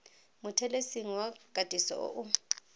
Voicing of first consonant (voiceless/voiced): voiced